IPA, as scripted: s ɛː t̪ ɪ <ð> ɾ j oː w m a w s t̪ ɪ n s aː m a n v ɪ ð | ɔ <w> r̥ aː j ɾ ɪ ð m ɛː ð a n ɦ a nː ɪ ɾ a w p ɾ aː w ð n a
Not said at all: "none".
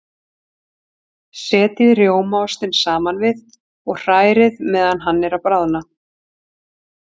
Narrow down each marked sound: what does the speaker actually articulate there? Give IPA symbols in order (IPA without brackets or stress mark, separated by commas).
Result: ð, ɣ